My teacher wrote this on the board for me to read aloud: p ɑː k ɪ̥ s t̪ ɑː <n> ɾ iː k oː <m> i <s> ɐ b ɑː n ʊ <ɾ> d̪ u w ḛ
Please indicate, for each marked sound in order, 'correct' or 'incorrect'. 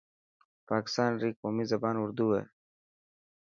correct, correct, incorrect: z, correct

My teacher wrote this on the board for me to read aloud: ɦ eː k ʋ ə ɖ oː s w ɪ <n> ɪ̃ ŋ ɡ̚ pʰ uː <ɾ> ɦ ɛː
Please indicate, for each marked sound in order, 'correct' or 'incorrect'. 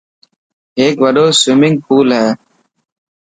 incorrect: m, incorrect: l

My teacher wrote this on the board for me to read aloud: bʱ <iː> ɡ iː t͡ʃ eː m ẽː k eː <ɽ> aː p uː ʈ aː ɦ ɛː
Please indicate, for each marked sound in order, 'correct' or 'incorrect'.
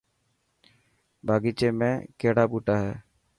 incorrect: aː, correct

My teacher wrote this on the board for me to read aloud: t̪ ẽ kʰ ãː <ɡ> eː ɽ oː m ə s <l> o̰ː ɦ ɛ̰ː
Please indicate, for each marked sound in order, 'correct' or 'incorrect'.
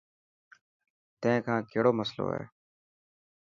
incorrect: k, correct

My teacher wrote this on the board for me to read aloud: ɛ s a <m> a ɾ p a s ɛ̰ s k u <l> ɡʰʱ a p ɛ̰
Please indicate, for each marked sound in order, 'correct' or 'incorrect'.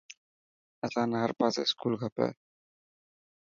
incorrect: n, correct

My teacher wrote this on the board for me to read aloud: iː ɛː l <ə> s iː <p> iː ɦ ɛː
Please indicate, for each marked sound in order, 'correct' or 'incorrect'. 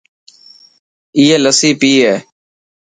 correct, correct

